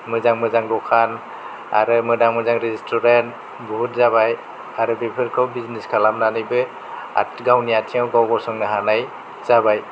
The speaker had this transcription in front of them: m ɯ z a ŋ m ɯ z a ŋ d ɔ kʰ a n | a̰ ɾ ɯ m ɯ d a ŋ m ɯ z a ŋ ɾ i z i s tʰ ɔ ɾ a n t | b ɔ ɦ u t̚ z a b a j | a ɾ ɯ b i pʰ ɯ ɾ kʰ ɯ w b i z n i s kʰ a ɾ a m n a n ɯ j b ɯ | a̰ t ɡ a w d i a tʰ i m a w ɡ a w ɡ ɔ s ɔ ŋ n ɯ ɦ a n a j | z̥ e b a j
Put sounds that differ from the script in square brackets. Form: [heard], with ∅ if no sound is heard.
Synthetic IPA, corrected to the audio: m ɯ z a ŋ m ɯ z a ŋ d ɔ kʰ a n | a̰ ɾ ɯ m ɯ d a ŋ m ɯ z a ŋ ɾ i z i s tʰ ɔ ɾ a n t | b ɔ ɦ u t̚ z a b a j | a ɾ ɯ b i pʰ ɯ ɾ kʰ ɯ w b i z n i s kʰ a [l] a m n a n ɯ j b ɯ | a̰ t ɡ a w [n] i a tʰ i [ŋ] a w ɡ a w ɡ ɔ s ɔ ŋ n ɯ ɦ a n a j | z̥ [a] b a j